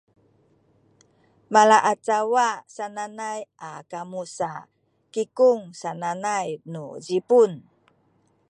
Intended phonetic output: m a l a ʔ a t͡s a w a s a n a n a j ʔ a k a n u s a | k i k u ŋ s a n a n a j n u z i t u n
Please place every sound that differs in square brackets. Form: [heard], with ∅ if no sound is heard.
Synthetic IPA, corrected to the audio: m a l a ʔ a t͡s a w a s a n a n a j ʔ a k a [m] u s a | k i k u ŋ s a n a n a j n u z i [p] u n